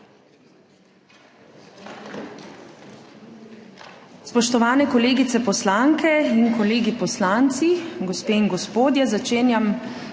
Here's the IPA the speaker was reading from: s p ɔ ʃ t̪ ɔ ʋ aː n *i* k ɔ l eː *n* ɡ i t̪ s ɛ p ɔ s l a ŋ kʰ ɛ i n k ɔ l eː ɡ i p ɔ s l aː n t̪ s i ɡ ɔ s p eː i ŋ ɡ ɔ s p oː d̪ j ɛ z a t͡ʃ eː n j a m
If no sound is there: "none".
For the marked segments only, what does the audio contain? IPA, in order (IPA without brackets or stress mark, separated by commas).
ɛ, none